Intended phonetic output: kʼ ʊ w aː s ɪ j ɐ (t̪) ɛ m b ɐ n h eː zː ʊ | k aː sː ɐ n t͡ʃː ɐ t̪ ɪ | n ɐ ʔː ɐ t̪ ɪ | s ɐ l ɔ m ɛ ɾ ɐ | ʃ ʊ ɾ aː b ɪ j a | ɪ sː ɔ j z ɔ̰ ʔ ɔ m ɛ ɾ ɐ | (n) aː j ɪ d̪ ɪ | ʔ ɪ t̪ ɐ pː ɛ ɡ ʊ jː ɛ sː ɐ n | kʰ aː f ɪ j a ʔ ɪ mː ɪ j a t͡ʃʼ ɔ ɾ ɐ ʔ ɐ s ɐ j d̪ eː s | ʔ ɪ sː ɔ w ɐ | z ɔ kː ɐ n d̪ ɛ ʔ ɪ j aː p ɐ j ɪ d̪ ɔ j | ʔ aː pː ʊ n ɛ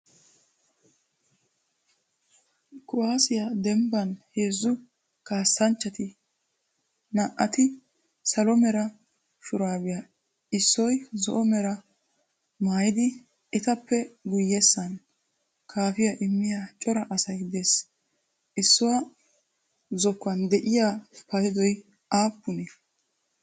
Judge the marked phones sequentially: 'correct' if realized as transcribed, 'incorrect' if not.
incorrect: d̪, incorrect: m

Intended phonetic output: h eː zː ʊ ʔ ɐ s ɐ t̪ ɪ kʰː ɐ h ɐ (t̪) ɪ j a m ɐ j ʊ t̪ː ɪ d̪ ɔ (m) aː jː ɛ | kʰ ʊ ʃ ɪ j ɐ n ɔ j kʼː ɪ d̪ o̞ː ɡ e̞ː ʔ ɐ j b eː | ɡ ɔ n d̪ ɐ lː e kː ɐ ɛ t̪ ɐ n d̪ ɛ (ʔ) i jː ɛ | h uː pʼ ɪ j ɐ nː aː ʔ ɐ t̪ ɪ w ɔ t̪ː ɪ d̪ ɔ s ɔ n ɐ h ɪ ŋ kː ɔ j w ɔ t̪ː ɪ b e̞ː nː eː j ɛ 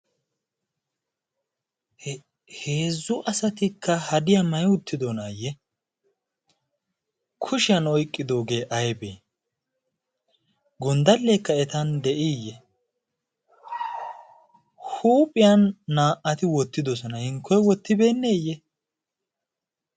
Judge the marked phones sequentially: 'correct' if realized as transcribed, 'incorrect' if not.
incorrect: d̪, incorrect: n, correct

